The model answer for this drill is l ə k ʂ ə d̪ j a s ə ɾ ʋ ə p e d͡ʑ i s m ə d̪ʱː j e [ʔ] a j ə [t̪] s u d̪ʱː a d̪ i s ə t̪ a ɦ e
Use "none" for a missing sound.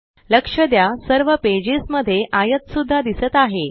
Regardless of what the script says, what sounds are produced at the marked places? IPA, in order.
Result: ʔ, t̪

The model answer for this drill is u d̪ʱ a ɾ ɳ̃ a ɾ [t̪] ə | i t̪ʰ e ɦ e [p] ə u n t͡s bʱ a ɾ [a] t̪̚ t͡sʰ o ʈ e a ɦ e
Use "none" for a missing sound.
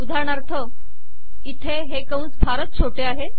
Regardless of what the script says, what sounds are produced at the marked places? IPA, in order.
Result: t̪ʰ, k, ə

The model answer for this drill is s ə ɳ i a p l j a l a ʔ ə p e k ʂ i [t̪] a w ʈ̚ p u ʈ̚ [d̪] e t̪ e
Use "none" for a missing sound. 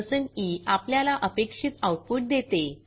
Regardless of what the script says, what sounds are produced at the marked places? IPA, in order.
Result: t̪, d̪

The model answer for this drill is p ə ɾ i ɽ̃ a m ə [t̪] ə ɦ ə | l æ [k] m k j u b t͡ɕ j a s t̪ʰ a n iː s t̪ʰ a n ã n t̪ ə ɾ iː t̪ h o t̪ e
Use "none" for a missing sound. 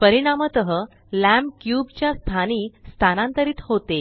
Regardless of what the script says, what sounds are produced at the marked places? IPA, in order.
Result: t̪, none

